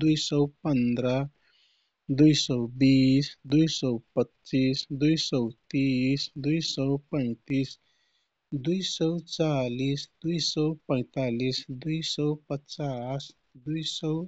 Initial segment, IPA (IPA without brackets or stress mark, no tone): d̪